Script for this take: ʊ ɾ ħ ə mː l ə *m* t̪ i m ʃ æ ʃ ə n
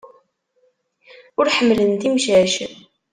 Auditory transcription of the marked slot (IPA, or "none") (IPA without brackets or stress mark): n